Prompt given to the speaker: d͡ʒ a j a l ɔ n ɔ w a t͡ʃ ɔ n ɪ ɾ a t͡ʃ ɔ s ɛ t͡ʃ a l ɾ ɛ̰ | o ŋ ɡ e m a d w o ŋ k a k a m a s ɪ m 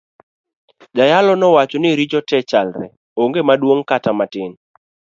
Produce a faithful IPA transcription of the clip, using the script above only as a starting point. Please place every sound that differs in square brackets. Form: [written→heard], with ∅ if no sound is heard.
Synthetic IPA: d͡ʒ a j a l ɔ n ɔ w a t͡ʃ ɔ n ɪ ɾ [a→i] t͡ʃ ɔ [s→t] ɛ t͡ʃ a l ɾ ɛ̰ | o ŋ ɡ e m a d w o ŋ k a [k→t] a m a [s→t] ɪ [m→n]